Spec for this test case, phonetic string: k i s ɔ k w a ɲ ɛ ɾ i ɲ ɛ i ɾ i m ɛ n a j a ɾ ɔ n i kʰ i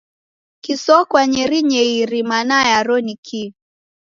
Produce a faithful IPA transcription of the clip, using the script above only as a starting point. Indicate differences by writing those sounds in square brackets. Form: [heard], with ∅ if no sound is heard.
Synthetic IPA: k i s ɔ k w a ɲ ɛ ɾ i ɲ ɛ i ɾ i m [a] n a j a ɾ ɔ n i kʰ i